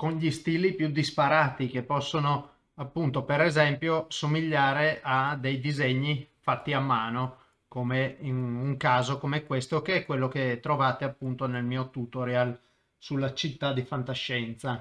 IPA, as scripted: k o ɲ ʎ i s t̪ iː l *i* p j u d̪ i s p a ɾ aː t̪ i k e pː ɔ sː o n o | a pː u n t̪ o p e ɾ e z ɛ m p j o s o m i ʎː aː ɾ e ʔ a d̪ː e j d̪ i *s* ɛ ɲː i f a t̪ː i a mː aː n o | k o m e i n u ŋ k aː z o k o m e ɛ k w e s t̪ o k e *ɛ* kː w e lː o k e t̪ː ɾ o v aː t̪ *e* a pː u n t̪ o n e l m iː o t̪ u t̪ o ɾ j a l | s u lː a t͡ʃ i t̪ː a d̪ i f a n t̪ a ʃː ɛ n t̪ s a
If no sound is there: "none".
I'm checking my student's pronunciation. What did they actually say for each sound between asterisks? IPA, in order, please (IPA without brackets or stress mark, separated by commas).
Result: i, z, ɛ, e